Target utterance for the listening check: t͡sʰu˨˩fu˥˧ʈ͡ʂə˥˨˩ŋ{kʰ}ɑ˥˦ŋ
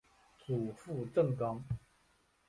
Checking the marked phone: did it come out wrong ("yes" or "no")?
yes